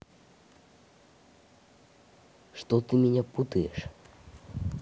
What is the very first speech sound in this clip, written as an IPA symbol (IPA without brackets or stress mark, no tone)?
ʂ